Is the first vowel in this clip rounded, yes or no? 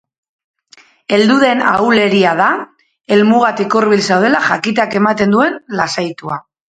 no